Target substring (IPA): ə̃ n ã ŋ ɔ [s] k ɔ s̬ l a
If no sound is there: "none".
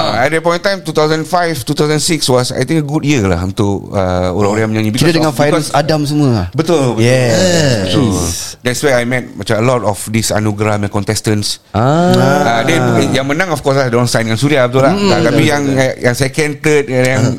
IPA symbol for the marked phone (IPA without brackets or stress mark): f